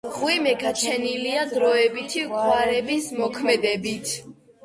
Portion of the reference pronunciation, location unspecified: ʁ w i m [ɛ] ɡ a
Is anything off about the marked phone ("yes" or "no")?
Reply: no